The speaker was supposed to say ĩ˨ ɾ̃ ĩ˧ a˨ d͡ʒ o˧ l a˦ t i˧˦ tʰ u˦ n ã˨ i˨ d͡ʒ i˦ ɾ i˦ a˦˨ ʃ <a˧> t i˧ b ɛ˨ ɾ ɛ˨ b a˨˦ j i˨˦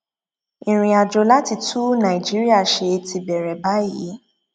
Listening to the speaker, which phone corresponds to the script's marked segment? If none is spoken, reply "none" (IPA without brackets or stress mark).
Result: e˧